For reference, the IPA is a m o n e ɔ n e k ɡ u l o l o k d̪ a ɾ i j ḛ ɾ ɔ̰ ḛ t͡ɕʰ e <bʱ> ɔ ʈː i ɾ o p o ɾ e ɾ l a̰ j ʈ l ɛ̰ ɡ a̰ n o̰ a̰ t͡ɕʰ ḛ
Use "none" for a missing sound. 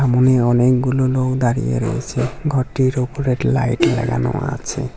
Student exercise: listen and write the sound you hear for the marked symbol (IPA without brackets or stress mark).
ɡʱ